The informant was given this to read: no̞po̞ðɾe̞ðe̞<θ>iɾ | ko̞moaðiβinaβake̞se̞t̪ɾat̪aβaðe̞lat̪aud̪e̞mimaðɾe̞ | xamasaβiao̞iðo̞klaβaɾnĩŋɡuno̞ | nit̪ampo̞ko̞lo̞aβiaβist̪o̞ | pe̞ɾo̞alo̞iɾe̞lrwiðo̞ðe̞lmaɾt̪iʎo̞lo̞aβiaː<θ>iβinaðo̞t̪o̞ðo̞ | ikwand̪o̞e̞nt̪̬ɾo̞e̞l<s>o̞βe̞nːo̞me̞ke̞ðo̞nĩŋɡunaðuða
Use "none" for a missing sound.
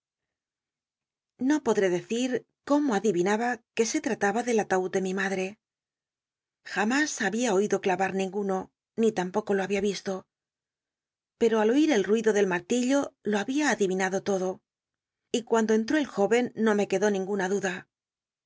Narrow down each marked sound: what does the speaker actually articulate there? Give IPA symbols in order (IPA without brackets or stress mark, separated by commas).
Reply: θ, ð, x